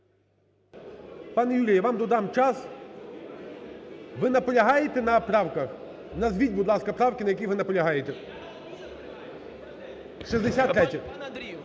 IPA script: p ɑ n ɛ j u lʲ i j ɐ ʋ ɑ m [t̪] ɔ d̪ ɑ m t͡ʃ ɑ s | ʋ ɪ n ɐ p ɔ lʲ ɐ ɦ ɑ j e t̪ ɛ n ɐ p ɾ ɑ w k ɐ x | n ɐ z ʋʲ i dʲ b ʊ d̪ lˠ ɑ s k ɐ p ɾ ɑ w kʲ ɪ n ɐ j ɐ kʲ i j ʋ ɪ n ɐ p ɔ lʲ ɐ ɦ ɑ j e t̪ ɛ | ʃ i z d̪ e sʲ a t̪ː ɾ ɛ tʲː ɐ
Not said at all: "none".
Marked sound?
d̪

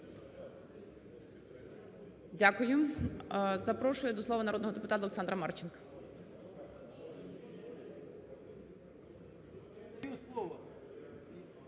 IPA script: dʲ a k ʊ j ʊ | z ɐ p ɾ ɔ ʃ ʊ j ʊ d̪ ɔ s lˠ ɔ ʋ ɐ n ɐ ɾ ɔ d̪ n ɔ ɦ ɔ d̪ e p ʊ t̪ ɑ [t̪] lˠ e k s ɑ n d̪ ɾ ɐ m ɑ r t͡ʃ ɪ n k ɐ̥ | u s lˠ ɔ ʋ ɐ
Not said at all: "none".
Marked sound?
t̪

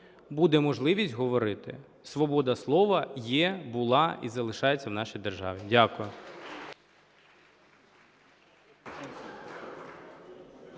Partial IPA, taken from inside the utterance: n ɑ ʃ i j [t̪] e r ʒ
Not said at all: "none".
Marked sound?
d̪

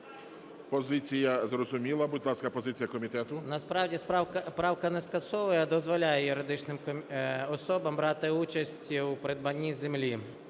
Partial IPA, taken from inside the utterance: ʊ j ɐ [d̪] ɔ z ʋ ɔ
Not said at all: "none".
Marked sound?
d̪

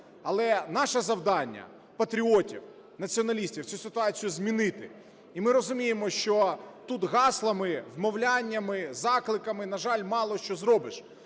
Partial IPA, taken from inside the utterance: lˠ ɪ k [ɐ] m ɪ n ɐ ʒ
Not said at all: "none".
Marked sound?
ɐ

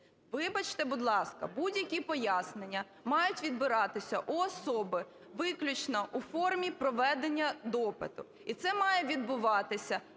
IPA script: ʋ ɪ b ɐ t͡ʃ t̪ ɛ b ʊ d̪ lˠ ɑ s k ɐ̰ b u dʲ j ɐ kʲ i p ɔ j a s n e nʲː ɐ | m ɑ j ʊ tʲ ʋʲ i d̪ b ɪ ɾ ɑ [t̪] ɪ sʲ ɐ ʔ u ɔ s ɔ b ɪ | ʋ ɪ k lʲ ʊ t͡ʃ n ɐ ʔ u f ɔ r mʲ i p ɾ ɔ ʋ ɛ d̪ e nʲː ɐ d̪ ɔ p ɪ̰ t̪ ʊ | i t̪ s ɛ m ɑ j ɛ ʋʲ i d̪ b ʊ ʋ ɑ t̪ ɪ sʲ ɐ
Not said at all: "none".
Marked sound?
t̪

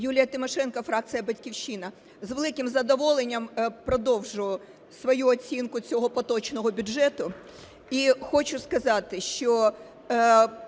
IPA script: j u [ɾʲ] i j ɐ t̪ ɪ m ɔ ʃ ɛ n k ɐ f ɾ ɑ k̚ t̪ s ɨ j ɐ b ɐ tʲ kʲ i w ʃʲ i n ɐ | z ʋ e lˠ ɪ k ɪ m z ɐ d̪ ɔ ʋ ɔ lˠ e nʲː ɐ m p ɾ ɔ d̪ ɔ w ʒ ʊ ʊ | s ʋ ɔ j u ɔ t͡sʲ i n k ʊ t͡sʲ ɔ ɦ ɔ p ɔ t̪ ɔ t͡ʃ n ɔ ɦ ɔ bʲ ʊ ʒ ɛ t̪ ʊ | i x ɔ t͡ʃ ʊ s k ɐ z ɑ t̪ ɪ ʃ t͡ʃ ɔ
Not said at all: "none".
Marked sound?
lʲ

